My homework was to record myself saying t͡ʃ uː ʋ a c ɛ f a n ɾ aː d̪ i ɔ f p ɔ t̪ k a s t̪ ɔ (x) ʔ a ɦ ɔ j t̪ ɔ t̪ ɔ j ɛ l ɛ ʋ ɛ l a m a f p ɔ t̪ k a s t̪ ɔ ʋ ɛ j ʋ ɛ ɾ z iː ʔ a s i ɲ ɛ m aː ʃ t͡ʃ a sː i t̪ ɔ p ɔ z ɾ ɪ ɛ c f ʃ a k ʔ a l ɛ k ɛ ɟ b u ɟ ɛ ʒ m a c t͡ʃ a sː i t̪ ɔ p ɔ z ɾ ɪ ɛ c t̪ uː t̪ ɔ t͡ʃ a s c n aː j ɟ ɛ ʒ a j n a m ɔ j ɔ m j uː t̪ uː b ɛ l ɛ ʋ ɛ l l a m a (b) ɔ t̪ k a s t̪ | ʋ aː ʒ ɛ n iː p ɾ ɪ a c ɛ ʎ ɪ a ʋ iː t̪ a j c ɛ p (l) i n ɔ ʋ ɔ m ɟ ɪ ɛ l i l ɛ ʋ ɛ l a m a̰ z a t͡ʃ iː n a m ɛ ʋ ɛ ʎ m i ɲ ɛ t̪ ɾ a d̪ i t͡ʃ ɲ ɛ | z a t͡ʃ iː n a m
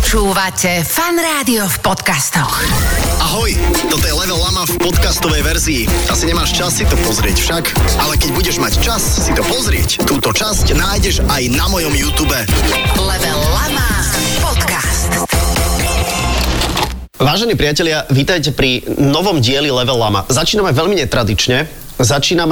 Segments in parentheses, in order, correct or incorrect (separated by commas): correct, incorrect, incorrect